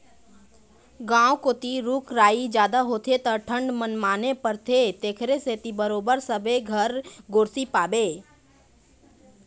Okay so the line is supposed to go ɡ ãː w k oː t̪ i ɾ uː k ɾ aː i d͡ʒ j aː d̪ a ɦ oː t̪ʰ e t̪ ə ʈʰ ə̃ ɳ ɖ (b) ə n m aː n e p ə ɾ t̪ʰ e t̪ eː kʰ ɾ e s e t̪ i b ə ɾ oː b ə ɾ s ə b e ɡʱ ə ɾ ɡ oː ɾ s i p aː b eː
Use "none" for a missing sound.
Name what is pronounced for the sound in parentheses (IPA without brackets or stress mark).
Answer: m